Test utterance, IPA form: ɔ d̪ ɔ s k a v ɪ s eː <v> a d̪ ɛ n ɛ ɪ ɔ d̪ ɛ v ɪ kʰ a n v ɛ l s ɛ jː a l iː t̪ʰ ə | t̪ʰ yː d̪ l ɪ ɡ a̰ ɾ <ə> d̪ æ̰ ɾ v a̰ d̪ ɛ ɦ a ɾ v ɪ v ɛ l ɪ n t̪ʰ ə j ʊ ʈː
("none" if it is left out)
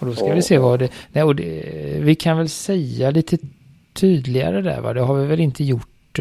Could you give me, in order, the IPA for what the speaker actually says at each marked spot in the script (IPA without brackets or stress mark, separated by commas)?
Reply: v, ə